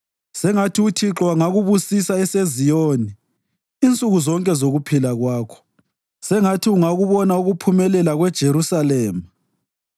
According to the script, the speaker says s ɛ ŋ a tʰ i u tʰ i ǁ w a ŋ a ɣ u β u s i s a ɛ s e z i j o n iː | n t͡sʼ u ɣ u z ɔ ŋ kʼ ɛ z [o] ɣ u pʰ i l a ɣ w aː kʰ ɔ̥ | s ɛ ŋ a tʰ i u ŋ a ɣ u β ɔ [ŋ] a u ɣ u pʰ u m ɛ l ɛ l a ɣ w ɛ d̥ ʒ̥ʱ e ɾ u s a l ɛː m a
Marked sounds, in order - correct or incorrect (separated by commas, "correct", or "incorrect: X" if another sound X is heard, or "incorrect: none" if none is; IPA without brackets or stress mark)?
correct, incorrect: n